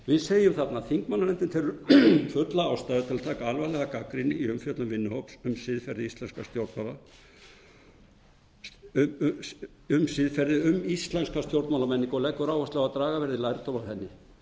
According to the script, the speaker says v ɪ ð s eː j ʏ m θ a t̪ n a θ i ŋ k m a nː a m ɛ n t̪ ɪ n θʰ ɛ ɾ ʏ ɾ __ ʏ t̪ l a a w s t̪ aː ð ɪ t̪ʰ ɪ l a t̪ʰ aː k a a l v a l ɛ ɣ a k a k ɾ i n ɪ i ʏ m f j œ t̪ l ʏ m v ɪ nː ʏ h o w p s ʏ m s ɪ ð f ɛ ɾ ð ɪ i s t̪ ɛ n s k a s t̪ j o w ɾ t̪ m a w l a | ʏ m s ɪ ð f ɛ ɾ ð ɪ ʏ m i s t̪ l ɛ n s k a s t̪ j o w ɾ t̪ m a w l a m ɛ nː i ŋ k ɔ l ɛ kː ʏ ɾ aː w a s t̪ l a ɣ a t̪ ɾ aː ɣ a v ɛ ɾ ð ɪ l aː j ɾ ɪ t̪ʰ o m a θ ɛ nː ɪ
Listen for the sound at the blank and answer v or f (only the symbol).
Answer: f